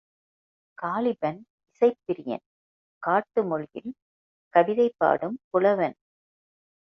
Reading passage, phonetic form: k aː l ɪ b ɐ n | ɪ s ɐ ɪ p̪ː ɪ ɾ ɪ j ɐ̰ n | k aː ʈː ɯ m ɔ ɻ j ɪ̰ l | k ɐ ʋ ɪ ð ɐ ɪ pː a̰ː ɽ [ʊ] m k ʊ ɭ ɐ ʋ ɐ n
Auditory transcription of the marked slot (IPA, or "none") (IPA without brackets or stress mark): ɯ